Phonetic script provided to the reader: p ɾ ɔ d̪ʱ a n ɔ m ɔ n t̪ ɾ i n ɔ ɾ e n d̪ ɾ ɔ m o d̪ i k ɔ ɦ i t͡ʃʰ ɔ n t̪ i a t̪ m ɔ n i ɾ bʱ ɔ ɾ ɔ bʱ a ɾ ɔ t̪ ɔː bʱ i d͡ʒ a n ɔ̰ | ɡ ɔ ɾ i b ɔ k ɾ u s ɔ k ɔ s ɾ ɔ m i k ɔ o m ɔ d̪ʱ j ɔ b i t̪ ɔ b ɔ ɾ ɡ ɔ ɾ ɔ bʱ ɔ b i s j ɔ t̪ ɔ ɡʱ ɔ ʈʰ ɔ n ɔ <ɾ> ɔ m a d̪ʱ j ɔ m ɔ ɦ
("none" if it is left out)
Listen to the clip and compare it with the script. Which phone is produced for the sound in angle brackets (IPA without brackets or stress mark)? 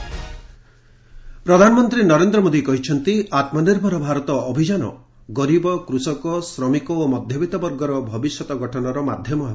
ɾ